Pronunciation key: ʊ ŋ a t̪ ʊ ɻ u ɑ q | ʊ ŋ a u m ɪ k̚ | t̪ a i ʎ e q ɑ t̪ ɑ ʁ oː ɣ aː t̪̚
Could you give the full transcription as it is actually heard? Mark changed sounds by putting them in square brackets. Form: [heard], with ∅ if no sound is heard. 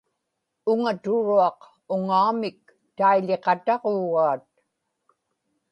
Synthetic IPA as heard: ʊ ŋ a t̪ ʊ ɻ u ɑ q | ʊ ŋ a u m ɪ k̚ | t̪ a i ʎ e q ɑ t̪ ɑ ʁ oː ɣ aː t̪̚